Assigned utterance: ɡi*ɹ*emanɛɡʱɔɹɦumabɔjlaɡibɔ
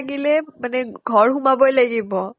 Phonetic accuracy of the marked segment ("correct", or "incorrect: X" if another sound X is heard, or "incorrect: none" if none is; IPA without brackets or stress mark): incorrect: l